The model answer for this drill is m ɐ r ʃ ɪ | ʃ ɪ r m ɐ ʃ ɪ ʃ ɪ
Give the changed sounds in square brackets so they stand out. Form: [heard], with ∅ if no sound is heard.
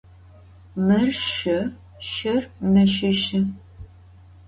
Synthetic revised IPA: m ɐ r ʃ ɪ | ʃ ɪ r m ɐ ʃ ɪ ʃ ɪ